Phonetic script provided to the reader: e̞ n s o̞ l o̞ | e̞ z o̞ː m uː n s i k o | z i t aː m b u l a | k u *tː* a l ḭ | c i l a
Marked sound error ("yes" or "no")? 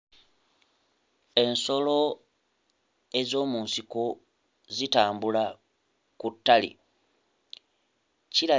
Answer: no